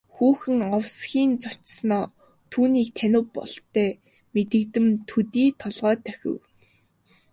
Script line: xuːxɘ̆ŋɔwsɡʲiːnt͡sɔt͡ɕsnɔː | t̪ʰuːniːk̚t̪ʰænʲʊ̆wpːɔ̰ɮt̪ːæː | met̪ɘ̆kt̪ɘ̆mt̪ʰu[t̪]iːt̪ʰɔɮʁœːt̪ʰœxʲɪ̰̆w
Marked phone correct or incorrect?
correct